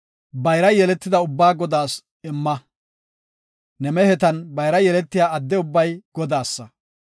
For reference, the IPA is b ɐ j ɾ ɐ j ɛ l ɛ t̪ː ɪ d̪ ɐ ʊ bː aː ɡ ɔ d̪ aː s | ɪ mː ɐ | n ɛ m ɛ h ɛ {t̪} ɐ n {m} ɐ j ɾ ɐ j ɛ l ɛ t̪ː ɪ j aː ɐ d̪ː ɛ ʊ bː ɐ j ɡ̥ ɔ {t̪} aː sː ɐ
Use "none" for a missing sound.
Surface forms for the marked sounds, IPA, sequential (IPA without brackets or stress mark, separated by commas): t̪, b, d̪